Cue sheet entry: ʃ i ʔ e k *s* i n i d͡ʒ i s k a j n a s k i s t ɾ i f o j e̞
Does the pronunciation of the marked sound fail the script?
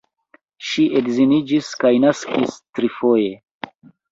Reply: yes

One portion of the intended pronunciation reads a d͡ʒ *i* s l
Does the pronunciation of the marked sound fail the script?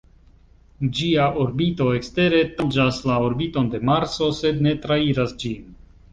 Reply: yes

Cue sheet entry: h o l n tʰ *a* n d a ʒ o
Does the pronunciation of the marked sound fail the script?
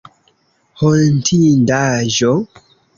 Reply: yes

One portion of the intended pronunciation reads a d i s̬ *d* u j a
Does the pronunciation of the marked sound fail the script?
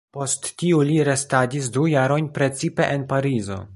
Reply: no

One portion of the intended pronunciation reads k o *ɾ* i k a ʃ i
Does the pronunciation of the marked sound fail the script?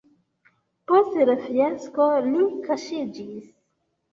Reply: yes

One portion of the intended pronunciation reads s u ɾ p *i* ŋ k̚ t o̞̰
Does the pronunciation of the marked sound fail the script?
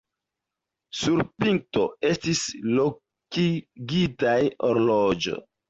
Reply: no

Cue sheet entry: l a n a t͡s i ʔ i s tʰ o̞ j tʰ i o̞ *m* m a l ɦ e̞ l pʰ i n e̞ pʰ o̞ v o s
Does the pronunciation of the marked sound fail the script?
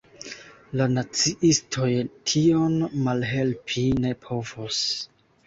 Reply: yes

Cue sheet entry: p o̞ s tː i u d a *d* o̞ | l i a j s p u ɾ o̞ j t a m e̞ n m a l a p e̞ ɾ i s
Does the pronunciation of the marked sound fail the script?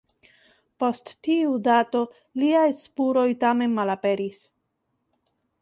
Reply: yes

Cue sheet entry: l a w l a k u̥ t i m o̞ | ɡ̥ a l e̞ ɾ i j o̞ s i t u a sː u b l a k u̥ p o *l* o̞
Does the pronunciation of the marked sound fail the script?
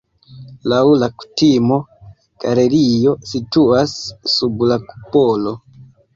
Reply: no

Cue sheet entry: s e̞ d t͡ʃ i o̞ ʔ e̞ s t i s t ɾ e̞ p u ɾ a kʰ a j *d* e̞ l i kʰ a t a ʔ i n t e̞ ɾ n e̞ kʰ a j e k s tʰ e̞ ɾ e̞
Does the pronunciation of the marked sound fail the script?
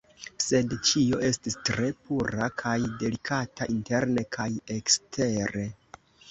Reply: no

